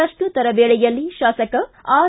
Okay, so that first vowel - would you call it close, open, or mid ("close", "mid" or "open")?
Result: open